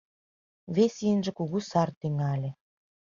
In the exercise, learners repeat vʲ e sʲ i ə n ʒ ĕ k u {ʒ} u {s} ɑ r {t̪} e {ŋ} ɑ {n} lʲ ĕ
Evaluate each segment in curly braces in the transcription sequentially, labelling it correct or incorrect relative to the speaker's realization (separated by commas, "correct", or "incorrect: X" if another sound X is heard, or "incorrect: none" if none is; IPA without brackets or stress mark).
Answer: incorrect: ɣ, correct, correct, correct, incorrect: none